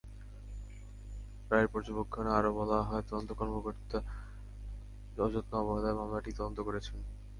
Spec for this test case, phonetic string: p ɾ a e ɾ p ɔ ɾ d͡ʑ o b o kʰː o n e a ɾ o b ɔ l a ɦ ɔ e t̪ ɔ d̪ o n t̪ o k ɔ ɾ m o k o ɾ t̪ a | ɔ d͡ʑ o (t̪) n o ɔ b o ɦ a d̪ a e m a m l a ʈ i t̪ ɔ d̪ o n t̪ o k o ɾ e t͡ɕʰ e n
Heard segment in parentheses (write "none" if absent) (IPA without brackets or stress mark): t̪